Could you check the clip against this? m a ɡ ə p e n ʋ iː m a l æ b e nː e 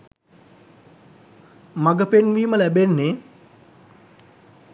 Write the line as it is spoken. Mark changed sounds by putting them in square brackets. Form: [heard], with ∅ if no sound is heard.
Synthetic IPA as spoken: m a ɡ ə p e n ʋ iː m [ə] l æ b e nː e